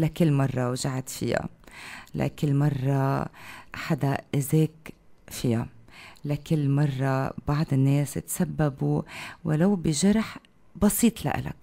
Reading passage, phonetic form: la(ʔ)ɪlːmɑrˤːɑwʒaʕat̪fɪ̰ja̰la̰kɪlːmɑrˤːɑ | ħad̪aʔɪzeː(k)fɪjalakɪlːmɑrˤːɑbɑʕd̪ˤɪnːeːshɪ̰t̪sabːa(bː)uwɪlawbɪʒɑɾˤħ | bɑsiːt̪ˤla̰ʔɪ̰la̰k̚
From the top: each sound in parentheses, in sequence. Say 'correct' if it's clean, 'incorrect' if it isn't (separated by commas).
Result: incorrect, correct, incorrect